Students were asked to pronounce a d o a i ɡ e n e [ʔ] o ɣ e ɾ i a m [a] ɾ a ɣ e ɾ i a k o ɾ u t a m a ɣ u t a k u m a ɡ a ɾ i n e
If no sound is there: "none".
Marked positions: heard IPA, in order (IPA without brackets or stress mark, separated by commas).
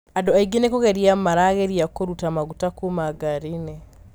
k, a